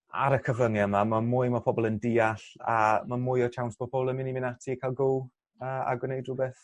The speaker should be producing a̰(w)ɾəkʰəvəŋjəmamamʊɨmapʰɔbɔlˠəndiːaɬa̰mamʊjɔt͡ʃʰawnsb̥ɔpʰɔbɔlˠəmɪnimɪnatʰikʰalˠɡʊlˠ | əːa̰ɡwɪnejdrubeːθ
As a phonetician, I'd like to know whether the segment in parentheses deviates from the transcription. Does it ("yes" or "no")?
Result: yes